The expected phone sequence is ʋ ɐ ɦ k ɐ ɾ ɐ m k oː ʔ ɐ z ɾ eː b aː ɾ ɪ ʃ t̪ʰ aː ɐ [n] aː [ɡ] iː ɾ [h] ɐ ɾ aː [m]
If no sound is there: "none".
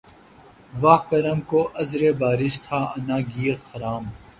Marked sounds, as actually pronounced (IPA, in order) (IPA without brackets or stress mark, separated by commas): n, ɡ, x, m